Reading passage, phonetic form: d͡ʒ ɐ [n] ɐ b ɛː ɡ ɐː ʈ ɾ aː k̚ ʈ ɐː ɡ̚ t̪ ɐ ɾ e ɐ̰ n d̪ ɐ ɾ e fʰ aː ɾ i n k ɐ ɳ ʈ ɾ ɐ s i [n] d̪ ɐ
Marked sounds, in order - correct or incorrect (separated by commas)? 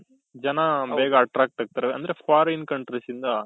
correct, correct